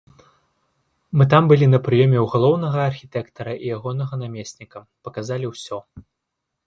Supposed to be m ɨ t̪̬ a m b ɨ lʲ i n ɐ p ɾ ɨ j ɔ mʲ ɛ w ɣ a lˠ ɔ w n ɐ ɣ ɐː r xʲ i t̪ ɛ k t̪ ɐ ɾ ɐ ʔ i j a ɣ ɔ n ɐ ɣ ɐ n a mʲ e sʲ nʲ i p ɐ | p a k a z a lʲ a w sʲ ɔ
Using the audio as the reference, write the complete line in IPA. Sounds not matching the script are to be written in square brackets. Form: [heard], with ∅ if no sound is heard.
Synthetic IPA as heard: m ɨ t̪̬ a m b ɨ lʲ i n ɐ p ɾ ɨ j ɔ mʲ ɛ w ɣ a lˠ ɔ w n ɐ ɣ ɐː r xʲ i t̪ ɛ k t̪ ɐ ɾ ɐ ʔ i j a ɣ ɔ n ɐ ɣ ɐ n a mʲ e sʲ nʲ i [k] ɐ | p [ɐ] k a z a lʲ [i] w sʲ ɔ